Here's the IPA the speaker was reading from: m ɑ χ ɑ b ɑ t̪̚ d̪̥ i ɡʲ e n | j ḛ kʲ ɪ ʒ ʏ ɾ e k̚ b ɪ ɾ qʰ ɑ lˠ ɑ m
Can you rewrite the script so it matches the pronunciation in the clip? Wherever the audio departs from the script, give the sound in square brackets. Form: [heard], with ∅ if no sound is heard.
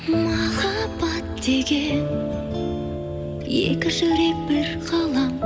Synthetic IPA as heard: m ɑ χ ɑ b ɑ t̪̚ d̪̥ [e] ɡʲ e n | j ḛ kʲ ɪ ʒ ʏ ɾ e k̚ b ɪ ɾ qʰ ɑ lˠ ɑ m